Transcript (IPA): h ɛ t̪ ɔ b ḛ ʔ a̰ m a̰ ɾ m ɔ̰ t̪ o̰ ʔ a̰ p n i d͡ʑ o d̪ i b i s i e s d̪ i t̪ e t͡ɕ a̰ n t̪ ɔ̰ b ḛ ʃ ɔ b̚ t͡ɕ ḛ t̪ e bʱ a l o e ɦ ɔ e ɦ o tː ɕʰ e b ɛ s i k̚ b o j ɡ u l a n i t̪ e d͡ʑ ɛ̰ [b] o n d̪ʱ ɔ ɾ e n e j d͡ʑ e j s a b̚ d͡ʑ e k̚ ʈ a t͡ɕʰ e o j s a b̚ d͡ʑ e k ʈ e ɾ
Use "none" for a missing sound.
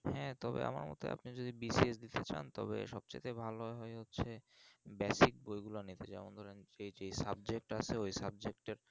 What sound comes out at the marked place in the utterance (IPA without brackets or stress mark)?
m